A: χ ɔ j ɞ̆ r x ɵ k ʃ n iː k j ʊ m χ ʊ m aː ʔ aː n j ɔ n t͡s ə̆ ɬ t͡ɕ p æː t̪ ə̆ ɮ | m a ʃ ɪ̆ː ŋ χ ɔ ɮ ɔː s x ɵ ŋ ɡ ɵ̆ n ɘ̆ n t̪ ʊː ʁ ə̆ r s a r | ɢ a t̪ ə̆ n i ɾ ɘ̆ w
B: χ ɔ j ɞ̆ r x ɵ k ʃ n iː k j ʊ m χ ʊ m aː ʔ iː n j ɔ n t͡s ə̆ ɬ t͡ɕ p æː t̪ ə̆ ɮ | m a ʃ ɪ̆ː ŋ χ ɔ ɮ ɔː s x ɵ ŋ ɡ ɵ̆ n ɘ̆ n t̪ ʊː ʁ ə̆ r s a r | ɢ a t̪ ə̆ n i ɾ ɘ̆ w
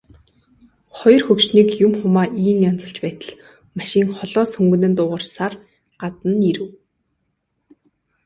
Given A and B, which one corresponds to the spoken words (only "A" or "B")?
B